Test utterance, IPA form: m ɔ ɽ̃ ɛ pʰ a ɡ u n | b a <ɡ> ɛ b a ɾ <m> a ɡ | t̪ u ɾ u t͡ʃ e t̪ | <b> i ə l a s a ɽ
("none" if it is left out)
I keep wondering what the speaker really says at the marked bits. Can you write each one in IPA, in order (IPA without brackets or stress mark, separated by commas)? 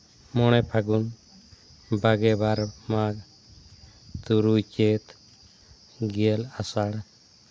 ɡ, m, ɡ